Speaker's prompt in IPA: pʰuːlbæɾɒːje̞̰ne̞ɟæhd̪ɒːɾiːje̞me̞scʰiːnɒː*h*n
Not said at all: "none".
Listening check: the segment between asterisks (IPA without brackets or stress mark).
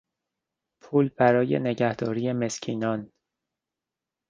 none